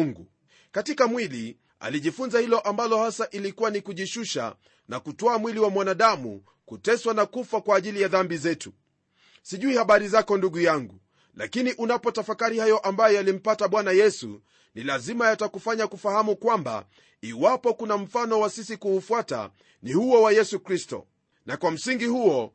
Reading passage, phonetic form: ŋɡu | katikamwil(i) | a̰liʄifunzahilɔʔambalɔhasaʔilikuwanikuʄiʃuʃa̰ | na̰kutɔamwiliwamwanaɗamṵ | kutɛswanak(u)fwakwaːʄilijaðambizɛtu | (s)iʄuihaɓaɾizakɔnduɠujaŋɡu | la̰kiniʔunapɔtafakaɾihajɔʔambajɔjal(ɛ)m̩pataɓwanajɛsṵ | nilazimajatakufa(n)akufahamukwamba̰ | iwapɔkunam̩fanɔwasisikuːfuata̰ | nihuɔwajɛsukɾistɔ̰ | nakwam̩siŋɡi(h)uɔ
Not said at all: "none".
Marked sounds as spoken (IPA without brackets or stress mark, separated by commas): i, u, s, i, ɲ, h